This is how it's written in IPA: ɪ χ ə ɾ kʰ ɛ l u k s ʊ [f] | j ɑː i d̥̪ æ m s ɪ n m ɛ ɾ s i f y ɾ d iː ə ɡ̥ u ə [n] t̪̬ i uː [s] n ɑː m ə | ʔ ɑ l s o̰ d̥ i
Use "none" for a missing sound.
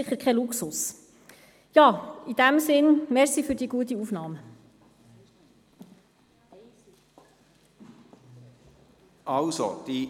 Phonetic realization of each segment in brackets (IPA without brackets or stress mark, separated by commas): s, none, f